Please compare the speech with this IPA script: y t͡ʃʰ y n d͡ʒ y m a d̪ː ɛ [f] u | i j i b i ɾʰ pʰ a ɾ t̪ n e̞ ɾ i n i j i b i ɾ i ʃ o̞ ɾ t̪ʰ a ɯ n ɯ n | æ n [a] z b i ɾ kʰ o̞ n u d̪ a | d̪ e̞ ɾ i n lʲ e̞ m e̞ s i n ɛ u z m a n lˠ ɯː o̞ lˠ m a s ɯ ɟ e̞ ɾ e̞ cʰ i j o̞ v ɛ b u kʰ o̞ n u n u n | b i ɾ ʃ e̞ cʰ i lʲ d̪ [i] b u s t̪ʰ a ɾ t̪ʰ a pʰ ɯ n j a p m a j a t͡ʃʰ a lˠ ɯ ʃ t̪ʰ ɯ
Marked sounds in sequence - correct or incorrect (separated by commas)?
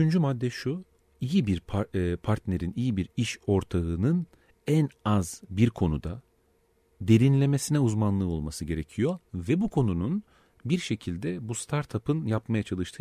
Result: incorrect, correct, incorrect